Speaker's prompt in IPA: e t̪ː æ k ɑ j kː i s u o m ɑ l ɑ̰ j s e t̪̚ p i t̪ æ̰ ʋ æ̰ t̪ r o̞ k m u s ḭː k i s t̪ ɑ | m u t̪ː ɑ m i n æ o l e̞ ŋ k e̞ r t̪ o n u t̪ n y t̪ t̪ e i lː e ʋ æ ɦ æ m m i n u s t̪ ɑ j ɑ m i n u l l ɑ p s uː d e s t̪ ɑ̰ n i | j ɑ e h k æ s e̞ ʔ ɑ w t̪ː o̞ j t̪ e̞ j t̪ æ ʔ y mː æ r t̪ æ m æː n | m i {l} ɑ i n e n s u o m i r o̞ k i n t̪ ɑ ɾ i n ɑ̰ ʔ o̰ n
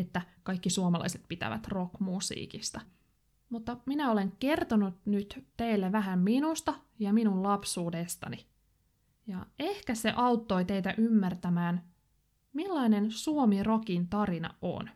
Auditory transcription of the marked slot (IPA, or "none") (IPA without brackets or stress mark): lː